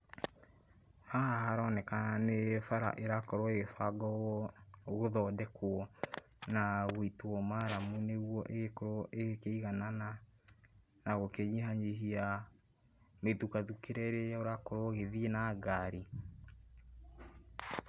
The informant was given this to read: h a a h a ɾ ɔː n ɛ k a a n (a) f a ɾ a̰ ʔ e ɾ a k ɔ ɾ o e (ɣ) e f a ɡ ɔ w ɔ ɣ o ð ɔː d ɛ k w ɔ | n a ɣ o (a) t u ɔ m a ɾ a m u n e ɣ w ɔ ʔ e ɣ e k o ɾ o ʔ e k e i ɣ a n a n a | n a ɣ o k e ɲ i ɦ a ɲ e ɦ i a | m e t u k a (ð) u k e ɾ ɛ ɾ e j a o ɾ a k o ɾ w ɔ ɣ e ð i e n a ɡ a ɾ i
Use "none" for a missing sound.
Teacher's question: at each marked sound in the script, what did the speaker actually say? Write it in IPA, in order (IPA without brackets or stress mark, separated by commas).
e, ɣ, i, ð